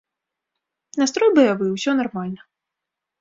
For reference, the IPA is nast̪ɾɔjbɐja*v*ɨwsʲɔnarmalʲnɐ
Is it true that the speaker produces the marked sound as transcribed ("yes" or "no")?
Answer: yes